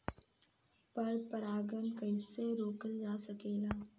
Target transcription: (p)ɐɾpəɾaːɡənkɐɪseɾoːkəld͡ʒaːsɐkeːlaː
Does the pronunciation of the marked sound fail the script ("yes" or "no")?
no